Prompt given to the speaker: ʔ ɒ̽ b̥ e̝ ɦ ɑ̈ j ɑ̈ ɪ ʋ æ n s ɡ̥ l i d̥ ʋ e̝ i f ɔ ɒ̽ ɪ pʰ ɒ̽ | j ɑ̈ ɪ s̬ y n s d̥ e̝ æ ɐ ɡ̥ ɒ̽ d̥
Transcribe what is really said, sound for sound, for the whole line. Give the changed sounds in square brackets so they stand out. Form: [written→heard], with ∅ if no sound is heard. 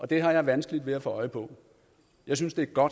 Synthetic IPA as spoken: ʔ ɒ̽ [b̥→d̥] e̝ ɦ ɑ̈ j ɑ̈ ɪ ʋ æ n s ɡ̥ l i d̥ ʋ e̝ [i→æ] f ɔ ɒ̽ ɪ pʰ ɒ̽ | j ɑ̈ ɪ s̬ y n s d̥ e̝ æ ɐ ɡ̥ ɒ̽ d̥